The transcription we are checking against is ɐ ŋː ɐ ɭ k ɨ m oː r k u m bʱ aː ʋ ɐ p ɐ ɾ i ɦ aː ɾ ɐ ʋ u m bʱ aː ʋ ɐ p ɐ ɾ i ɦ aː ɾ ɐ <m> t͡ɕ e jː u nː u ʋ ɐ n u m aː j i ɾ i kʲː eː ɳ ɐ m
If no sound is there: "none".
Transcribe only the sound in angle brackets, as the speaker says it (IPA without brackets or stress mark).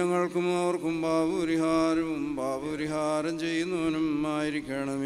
m